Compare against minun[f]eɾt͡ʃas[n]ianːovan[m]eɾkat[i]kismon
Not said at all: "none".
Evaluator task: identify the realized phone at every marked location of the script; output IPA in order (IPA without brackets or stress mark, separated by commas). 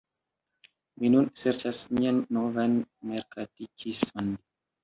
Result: s, m, m, i